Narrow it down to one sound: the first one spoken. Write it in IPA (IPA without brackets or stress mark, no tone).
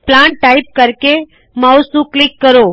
p